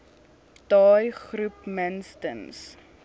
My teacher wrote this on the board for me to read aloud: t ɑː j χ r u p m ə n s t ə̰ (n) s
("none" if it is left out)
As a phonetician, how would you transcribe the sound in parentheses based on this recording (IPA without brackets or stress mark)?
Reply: n